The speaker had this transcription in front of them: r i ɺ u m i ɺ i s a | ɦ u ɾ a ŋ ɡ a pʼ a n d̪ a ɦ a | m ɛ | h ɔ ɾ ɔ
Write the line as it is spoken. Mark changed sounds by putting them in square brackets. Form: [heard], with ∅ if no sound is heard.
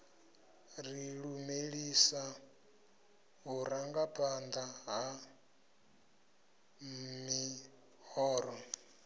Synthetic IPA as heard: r i ɺ u m [e] ɺ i s a | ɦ u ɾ a ŋ ɡ a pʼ a n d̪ a ɦ a | m [i] | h [ɔː] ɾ ɔ